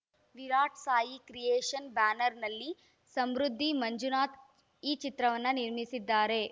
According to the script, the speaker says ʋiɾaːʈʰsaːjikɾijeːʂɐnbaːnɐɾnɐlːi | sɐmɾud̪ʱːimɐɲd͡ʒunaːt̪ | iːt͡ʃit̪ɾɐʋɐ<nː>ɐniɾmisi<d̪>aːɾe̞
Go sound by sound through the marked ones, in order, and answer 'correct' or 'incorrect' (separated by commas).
correct, incorrect